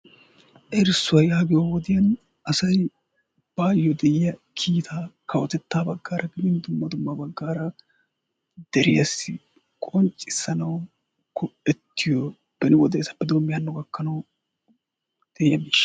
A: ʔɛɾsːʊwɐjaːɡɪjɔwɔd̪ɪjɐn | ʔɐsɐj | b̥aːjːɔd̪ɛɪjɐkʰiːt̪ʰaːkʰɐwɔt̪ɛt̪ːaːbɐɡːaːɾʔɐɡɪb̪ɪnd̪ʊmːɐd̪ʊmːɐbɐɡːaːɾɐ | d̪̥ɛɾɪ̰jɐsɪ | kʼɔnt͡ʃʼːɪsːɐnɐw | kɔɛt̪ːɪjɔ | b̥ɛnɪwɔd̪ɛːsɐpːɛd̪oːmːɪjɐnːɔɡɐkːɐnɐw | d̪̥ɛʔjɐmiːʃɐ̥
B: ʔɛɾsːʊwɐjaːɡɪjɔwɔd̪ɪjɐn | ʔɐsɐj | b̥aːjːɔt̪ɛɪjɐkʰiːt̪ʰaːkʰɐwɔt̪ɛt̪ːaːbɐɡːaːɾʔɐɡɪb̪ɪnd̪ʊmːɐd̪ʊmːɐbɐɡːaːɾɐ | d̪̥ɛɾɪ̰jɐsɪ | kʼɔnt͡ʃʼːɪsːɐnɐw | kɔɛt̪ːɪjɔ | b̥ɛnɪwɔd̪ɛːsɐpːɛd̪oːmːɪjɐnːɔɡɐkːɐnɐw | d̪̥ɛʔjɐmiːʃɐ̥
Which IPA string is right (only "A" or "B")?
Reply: A